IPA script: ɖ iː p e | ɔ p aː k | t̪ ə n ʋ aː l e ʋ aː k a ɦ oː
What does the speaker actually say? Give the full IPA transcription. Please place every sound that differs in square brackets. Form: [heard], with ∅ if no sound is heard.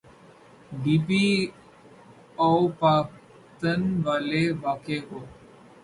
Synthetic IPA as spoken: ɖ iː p [i] | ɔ p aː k | t̪ ə n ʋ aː l e ʋ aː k [e] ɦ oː